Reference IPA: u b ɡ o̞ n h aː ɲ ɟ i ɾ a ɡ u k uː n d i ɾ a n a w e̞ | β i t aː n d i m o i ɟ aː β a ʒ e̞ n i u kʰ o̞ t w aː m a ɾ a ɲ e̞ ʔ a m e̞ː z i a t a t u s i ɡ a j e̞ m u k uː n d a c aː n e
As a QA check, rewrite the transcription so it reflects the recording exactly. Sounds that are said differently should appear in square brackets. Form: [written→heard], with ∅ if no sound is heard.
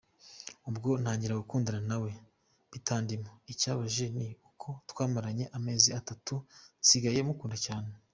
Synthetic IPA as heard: u b ɡ o̞ n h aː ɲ ɟ i ɾ a ɡ u k uː n d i ɾ a n a w e̞ | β i t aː n d i m o i [ɟ→c] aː β a ʒ e̞ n i u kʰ o̞ t w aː m a ɾ a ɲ e̞ ʔ a m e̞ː z i a t a t u s i ɡ a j e̞ m u k uː n d a c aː n e

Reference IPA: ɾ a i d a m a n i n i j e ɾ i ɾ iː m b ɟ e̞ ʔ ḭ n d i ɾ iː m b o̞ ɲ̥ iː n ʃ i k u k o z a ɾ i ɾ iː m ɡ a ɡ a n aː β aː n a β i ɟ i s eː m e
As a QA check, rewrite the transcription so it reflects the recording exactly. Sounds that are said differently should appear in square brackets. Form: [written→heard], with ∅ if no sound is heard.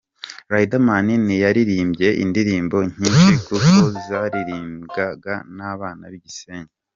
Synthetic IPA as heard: ɾ a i d a m a n i n i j [e→a] ɾ i ɾ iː m b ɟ e̞ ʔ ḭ n d i ɾ iː m b o̞ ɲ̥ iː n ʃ i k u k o z a ɾ i ɾ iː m ɡ a ɡ a n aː β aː n a β i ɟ i s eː [m→ɲ] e

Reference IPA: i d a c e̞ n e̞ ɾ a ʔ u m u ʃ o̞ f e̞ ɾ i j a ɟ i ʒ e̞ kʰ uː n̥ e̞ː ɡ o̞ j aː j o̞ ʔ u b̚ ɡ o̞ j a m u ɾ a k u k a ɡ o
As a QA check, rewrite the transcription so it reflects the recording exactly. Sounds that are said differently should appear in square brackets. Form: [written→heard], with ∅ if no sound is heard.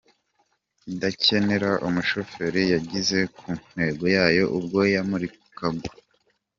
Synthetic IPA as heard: i d a c e̞ n e̞ ɾ a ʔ u m u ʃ o̞ f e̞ ɾ i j a ɟ i [ʒ→z] e̞ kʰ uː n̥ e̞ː ɡ o̞ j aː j o̞ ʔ u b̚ ɡ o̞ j a m u ɾ [a→i] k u k a ɡ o

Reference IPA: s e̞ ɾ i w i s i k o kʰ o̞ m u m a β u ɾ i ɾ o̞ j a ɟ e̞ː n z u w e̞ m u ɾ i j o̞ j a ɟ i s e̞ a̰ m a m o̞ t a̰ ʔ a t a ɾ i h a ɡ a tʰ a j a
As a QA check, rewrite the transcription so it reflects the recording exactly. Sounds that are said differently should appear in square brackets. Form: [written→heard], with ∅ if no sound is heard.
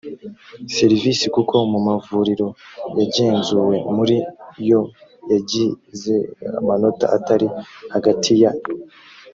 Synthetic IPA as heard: s e̞ ɾ i [w→v] i s i k [o→u] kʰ o̞ m u m a [β→v] u ɾ i ɾ o̞ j a ɟ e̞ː n z u w e̞ m u ɾ i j o̞ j a ɟ i [s→z] e̞ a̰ m a [m→n] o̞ t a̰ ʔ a t a ɾ i h a ɡ a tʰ [a→i] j a

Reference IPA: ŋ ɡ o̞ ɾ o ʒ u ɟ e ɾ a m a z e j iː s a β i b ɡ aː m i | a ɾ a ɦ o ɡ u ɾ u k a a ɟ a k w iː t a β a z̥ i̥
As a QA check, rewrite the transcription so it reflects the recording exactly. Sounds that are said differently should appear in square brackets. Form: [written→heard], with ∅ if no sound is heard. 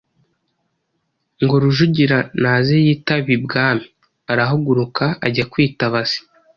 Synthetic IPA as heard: ŋ ɡ o̞ ɾ [o→u] ʒ u ɟ [e→i] ɾ a [m→n] a z e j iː [s→t] a β i b ɡ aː m i | a ɾ a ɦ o ɡ u ɾ u k a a ɟ a k w iː t a β a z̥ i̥

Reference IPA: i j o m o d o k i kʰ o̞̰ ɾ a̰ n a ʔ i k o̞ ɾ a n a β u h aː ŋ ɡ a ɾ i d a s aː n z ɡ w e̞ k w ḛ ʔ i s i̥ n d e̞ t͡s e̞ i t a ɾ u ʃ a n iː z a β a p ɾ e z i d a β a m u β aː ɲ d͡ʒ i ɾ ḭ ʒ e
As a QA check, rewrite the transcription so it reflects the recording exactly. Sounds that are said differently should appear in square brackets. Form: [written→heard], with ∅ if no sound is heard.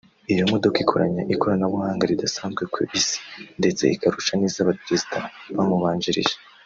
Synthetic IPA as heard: i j o m o d o k i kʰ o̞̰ ɾ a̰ [n→ɲ] a ʔ i k o̞ ɾ a n a β u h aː ŋ ɡ a ɾ i d a s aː n z ɡ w e̞ k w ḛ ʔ i s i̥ n d e̞ t͡s e̞ i [t→k] a ɾ u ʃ a n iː z a β a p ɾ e z i d a β a m u β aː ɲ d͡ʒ i ɾ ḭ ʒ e

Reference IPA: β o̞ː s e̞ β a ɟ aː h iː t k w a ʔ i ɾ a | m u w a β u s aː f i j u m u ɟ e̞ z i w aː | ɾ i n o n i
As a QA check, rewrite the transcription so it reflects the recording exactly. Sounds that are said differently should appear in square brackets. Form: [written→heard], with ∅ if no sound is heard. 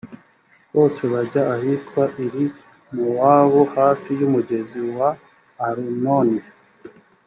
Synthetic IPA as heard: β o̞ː s e̞ β a ɟ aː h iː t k w a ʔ i ɾ [a→i] | m u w a β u [s→h] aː f i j u m u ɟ e̞ z i w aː | ɾ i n o n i

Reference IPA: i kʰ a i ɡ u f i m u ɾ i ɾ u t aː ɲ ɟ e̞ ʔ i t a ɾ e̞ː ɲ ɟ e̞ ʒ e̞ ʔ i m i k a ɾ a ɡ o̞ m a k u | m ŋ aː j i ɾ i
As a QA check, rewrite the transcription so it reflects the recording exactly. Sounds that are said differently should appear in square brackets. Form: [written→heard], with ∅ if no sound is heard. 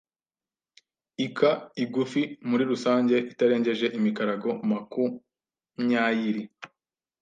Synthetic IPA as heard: i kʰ a i ɡ u f i m u ɾ i ɾ u [t→s] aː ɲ ɟ e̞ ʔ i t a ɾ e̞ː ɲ ɟ e̞ ʒ e̞ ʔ i m i k a ɾ a ɡ o̞ m a k u | m [ŋ→ɲ] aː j i ɾ i

